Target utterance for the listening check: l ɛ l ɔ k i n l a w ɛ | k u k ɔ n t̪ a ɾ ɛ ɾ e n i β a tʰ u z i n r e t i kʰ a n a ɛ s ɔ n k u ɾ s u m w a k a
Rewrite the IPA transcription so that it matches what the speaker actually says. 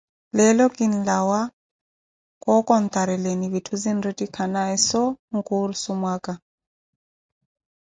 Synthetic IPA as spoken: l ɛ l ɔ k i n l a w a | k ɔ k ɔ n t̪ a ɾ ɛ l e n i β i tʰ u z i n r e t i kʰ a n a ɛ s ɔ ŋ k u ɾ s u m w a k a